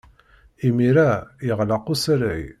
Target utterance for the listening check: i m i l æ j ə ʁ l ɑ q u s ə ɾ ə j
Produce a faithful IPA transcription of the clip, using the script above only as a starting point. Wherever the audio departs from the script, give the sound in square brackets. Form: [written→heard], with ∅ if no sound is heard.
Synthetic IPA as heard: i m i [l→ɾ] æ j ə ʁ l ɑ q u s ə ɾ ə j